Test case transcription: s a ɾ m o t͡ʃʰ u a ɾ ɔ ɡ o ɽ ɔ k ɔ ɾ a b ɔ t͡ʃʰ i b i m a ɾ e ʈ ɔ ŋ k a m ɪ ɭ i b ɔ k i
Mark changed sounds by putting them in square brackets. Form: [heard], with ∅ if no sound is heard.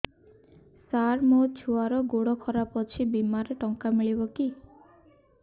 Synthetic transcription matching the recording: s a ɾ m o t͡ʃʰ u a ɾ ɔ ɡ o ɽ ɔ [kʰ] ɔ ɾ a [p] ɔ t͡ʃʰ i b i m a ɾ e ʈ ɔ ŋ k a m [i] ɭ i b ɔ k i